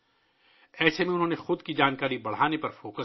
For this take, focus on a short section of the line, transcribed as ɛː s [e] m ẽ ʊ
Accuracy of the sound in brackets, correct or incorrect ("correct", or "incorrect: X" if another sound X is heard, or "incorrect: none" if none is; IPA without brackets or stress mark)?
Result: correct